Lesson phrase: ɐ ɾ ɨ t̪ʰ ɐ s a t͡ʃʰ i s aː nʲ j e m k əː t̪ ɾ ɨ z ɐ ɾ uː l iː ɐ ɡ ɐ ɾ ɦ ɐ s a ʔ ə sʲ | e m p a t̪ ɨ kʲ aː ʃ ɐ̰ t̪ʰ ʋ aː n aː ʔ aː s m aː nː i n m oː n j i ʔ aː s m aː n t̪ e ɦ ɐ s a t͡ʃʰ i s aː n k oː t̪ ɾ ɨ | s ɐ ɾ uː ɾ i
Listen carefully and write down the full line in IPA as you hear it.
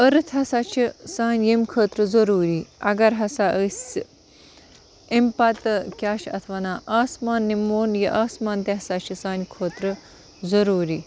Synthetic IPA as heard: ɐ ɾ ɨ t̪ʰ ɐ s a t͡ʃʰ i s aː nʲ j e m kʰ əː t̪ ɾ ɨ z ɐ ɾ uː ɾ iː ɐ ɡ ɐ ɾ ɦ ɐ s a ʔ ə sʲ | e m p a t̪ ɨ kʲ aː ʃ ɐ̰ t̪ʰ ʋ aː n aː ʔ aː s m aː nː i m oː n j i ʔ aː s m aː n t̪ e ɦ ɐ s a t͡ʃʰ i s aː n kʰ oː t̪ ɾ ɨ | z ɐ ɾ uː ɾ i